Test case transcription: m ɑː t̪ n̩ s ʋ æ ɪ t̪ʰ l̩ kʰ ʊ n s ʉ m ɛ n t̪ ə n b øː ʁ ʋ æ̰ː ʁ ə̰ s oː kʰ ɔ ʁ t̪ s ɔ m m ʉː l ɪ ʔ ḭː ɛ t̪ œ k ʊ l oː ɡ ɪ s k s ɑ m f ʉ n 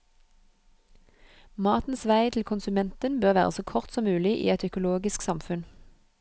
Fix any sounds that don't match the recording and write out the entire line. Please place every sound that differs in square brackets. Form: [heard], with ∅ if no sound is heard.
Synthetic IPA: m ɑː t̪ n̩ s ʋ æ ɪ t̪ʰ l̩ kʰ ʊ n s ʉ m ɛ n t̪ ə n b øː ʁ ʋ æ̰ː ʁ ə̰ s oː kʰ ɔ ʁ t̪ s ɔ m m ʉː l ɪ ʔ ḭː ɛ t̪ œ k ʊ l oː ɡ ɪ s k s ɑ m f ʉ n

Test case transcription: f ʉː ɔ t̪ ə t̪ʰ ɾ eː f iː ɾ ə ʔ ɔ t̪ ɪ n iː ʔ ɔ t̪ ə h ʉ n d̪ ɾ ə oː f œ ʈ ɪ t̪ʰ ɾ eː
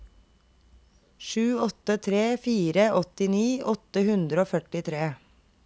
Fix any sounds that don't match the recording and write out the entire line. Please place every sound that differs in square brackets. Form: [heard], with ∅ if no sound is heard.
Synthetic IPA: [ʃ] ʉː ɔ t̪ ə t̪ʰ ɾ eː f iː ɾ ə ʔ ɔ t̪ ɪ n iː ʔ ɔ t̪ ə h ʉ n d̪ ɾ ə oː f œ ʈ ɪ t̪ʰ ɾ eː

